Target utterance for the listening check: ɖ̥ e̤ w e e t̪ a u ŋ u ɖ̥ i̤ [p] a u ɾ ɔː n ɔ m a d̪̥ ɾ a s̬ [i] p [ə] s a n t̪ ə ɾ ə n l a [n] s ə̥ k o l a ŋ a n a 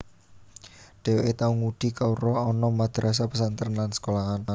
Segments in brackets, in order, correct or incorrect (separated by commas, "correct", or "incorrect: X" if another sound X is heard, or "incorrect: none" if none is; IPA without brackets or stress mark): incorrect: k, incorrect: a, correct, correct